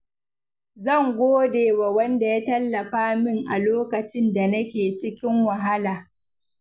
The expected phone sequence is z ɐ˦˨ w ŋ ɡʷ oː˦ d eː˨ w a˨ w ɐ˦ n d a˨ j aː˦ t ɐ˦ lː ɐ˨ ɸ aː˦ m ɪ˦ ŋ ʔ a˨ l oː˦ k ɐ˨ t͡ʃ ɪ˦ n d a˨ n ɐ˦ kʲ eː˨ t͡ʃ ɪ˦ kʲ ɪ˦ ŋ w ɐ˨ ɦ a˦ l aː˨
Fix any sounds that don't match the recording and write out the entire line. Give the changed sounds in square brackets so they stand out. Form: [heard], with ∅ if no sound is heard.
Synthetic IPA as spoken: z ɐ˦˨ [∅] ŋ ɡʷ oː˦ d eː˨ w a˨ w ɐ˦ n d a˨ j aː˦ t ɐ˦ lː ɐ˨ ɸ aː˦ m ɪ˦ ŋ ʔ a˨ l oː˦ k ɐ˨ t͡ʃ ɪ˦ n d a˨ n ɐ˦ kʲ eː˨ t͡ʃ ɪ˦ kʲ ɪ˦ ŋ w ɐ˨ ɦ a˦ l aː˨